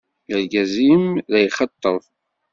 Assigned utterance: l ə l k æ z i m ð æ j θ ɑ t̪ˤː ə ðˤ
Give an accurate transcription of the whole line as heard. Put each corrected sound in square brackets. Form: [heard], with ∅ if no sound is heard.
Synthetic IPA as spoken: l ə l [ɡ] æ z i m ð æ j [χ] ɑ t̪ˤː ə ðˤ